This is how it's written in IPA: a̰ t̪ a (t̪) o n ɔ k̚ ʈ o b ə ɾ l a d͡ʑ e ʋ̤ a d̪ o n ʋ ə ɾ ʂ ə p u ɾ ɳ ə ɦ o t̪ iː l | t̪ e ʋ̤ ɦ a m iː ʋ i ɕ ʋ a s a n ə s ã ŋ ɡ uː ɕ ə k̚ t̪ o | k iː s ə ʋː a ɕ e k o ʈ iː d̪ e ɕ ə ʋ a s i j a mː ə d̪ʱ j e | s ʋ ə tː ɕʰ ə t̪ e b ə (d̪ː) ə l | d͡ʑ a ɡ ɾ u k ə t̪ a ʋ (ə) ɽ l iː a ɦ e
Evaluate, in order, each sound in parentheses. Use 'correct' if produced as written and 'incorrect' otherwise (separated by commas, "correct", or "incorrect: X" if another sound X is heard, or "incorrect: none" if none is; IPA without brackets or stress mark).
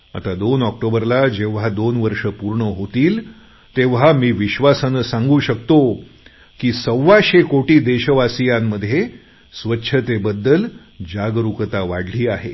incorrect: d̪, correct, incorrect: a